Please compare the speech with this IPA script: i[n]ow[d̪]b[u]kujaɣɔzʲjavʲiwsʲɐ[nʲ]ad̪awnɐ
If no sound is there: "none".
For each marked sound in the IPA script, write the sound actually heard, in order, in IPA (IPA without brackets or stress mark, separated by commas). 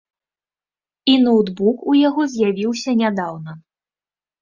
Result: n, d̪, u, nʲ